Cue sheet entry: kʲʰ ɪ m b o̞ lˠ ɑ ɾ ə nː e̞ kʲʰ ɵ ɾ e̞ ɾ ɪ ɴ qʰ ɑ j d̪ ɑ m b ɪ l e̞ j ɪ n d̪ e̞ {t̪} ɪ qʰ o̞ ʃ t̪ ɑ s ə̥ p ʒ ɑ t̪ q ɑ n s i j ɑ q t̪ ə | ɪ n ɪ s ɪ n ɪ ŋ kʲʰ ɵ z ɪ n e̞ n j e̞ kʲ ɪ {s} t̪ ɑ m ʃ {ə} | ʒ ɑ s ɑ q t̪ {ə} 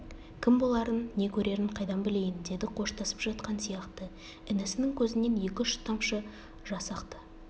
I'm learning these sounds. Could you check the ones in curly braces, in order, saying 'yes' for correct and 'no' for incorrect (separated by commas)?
no, no, yes, yes